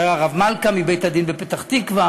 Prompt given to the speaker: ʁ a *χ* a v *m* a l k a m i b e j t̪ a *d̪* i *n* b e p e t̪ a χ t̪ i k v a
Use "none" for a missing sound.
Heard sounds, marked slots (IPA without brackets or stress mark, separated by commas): ʁ, m, d̪, n